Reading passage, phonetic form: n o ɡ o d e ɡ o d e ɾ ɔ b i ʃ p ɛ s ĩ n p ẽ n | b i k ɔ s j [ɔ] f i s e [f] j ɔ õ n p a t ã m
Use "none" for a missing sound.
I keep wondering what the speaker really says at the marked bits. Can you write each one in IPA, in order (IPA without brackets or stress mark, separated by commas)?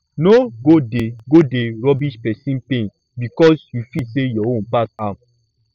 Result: u, none